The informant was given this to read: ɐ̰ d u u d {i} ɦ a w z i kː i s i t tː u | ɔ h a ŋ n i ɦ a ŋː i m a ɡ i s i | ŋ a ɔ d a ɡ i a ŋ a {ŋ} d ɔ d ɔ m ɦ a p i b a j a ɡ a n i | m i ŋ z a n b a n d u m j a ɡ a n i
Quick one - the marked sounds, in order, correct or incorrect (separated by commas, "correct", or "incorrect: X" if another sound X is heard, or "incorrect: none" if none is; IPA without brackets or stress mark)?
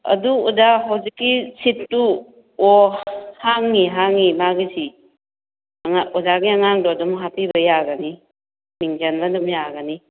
incorrect: a, correct